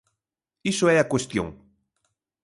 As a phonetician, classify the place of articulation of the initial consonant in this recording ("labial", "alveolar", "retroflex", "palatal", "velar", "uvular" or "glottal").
alveolar